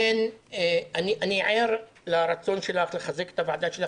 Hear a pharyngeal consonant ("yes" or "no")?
yes